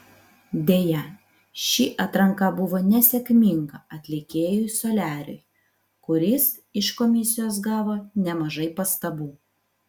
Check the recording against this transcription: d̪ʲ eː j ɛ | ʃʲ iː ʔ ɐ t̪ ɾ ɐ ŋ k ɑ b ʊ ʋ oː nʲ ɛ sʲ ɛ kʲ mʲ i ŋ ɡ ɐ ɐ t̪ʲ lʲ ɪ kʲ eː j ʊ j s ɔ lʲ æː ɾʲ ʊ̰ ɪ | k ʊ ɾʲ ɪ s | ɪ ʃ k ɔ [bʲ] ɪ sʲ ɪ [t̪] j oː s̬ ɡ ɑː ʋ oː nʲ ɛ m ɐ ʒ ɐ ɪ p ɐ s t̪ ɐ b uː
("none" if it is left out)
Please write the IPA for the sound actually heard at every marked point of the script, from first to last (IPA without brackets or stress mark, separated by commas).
mʲ, none